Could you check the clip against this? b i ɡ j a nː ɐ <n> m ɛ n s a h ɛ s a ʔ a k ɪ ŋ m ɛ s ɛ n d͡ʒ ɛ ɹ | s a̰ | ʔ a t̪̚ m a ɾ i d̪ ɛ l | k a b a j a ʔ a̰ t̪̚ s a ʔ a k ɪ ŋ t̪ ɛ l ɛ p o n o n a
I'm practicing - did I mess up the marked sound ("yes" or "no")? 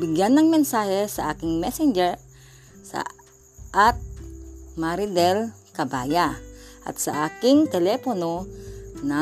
yes